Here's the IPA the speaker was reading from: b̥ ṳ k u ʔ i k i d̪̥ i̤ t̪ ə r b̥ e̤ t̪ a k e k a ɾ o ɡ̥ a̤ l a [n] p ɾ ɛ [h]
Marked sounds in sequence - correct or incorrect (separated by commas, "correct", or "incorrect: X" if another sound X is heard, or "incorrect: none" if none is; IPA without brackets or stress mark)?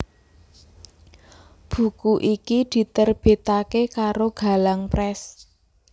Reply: incorrect: ŋ, incorrect: s